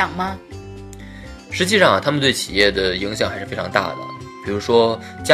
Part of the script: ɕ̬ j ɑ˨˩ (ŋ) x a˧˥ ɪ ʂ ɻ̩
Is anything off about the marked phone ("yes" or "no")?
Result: no